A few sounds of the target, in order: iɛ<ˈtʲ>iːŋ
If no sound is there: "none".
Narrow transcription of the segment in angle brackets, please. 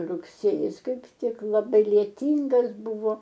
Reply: tʲ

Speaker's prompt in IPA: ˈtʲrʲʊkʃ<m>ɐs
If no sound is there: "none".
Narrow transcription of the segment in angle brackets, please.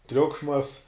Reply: m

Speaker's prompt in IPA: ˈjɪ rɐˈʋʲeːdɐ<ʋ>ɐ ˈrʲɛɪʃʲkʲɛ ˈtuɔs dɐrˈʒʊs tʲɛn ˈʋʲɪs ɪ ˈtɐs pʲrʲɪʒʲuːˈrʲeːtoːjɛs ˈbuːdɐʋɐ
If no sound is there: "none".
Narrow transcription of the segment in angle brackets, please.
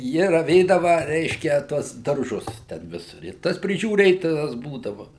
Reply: ʋ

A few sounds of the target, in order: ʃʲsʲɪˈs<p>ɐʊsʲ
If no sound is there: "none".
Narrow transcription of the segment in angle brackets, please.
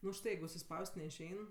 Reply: p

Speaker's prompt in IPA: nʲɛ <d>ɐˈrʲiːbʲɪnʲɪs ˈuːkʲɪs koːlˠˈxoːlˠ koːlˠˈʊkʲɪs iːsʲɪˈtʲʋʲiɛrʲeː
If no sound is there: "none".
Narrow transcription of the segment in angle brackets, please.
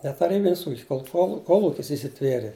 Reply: t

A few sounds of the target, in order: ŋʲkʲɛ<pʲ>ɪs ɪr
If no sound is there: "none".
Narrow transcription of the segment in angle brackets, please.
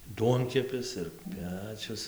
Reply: pʲ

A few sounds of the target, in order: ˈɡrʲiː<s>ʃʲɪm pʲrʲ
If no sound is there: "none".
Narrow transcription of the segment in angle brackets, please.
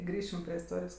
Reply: none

